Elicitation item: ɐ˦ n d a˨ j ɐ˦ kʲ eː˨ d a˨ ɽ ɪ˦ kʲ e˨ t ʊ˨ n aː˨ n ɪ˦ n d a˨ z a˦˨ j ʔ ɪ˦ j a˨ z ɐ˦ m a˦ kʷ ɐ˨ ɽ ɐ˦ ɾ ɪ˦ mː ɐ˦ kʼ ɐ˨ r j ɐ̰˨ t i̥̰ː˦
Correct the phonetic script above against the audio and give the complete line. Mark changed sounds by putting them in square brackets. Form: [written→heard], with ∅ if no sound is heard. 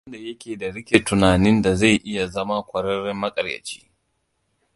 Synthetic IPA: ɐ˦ n d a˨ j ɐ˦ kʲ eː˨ d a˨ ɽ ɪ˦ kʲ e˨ t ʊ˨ n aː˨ n ɪ˦ n d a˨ z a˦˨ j ʔ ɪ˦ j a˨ z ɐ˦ m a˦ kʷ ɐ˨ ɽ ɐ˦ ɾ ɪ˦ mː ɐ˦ kʼ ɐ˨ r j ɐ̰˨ [t→t͡ʃ] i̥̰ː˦